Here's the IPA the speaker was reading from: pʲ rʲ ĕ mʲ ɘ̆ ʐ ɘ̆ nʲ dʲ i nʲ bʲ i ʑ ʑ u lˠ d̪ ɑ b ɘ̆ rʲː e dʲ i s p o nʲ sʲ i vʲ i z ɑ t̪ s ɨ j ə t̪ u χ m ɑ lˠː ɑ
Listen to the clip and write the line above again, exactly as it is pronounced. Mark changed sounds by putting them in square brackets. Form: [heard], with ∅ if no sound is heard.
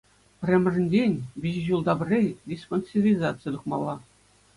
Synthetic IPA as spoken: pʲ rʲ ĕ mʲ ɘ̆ ʐ ɘ̆ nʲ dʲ [e] nʲ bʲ i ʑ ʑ u lˠ d̪ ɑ b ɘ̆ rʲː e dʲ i s p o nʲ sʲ i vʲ i z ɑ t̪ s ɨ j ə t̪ u χ m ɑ lˠː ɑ